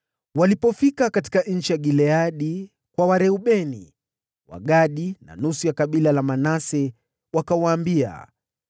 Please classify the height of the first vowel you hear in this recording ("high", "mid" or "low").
low